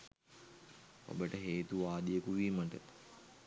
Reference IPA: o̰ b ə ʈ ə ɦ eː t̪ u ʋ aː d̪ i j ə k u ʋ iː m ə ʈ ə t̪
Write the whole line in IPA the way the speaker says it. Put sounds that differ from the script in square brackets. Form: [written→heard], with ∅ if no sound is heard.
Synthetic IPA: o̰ b ə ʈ ə ɦ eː t̪ u ʋ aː d̪ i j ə k u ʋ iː m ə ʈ ə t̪